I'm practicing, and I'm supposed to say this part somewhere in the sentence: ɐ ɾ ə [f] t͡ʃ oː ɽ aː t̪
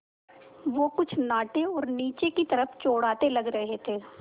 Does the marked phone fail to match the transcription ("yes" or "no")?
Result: no